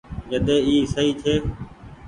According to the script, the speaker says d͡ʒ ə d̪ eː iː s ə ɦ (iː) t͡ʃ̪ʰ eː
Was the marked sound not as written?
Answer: no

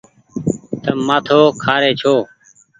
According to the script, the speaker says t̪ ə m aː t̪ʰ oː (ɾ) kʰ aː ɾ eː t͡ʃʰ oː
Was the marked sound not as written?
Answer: yes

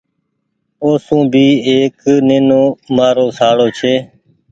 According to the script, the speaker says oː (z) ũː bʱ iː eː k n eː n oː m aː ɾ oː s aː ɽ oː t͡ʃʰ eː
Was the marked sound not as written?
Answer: yes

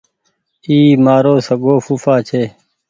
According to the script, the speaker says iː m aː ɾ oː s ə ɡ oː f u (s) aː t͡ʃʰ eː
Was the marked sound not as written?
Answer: yes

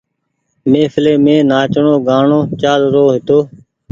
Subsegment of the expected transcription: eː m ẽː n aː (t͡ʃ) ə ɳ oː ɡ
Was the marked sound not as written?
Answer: no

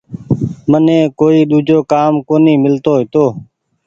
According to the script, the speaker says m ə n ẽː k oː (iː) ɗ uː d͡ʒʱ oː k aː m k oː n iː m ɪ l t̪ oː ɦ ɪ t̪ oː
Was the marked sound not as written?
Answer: no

